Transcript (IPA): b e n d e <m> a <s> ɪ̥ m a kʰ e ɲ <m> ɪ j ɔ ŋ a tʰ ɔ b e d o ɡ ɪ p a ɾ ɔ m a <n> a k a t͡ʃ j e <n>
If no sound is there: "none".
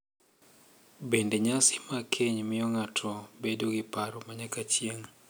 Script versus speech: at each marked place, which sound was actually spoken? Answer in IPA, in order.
ɲ, s, m, ɲ, ŋ

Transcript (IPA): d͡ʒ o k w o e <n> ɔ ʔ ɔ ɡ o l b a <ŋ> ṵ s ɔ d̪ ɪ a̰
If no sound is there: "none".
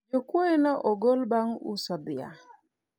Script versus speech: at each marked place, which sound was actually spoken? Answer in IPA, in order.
n, ŋ

